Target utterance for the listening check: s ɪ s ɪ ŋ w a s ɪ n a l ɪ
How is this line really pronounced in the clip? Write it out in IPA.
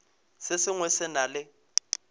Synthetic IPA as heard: s ɪ s ɪ ŋ w ɛ s ɪ n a l ɪ

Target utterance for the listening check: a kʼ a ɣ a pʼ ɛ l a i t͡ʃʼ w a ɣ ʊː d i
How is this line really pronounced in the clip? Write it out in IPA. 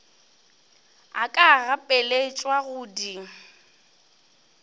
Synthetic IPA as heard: a kʼ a ɣ a pʼ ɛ l e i t͡ʃʼ w a ɣ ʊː d i

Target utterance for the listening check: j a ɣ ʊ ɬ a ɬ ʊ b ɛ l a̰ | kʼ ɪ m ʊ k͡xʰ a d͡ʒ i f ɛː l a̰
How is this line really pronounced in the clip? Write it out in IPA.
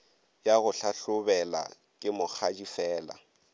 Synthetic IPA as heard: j a ɣ ʊ ɬ a ɬ ʊ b ɛ l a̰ | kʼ ɪ m ʊ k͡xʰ a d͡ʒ i f ɛː l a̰

